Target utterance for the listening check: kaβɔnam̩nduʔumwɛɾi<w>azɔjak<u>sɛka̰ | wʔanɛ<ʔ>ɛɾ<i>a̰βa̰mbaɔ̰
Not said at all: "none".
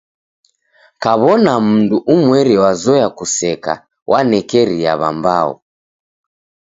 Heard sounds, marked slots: w, u, k, i

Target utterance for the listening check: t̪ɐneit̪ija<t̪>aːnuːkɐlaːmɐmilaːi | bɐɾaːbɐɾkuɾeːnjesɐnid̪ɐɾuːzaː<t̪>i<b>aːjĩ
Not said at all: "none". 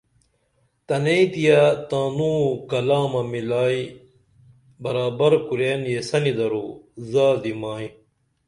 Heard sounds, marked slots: t̪, d̪, m

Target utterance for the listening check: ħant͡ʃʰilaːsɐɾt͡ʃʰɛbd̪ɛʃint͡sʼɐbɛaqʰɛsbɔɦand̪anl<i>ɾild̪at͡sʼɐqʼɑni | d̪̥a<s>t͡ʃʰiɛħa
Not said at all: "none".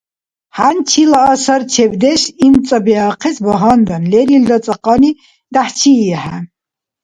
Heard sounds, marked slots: ɛ, ħ

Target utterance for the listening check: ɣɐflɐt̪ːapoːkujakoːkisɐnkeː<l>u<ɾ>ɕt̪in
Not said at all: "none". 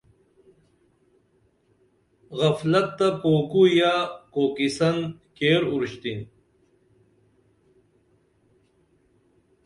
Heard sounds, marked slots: ɾ, ɾ

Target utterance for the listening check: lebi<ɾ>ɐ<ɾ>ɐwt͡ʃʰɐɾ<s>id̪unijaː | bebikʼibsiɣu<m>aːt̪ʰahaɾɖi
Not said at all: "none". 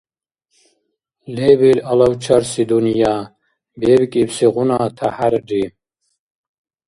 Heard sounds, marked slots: l, l, s, n

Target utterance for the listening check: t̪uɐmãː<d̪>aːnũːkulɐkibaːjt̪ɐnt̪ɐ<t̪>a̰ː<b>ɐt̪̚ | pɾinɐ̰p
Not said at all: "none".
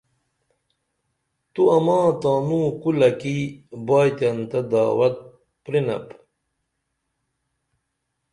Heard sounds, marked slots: t̪, d̪, w

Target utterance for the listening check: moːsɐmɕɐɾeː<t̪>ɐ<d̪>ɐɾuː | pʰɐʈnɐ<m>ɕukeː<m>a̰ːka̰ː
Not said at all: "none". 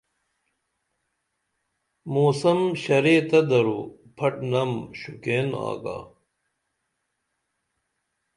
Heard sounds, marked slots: t̪, d̪, m, n

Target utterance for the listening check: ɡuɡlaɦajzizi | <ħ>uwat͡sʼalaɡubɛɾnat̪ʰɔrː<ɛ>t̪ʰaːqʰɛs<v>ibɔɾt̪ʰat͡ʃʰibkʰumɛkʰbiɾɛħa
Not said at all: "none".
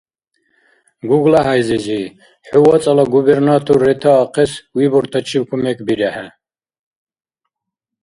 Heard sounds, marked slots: ħ, ɛ, w

